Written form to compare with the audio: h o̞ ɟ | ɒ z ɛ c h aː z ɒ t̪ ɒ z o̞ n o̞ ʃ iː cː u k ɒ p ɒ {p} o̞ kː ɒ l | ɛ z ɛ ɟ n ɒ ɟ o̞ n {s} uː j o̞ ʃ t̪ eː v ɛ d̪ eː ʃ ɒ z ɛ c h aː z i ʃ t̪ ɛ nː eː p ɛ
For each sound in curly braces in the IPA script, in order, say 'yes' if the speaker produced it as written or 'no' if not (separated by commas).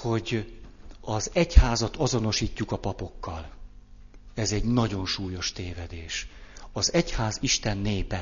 yes, no